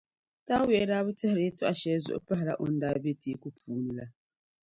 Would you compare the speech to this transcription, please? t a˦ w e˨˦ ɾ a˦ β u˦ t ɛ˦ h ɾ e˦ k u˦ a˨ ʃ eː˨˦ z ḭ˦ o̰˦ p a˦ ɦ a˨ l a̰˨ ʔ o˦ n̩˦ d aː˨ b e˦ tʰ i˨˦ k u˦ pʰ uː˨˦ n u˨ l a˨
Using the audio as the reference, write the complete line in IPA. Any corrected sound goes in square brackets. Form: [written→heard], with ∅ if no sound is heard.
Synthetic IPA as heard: t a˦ w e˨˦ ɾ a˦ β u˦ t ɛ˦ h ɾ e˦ [k→t] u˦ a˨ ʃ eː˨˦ z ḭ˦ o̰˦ p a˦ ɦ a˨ l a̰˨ ʔ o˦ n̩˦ d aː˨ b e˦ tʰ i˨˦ k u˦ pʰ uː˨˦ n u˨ l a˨